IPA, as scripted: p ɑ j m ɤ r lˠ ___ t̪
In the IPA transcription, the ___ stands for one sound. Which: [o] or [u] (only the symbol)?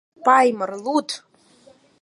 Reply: u